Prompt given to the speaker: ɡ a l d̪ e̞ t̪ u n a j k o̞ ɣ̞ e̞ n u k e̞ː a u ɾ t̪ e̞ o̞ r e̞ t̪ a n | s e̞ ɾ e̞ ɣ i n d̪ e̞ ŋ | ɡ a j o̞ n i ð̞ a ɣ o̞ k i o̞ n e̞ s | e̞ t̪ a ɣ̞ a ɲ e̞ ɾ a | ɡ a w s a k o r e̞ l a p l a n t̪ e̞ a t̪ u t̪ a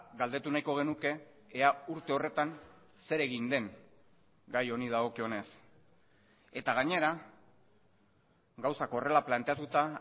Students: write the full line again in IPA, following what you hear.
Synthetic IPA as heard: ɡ a l d̪ e̞ t̪ u n a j k o̞ ɣ̞ e̞ n u k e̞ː a u ɾ t̪ e̞ o̞ r e̞ t̪ a n | s e̞ ɾ e̞ ɣ i n d̪ e̞ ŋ | ɡ a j o̞ n i ð̞ a ɣ o̞ k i o̞ n e̞ s | e̞ t̪ a ɣ̞ a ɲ e̞ ɾ a | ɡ a w s a k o r e̞ l a p l a n t̪ e̞ a t̪ u t̪ a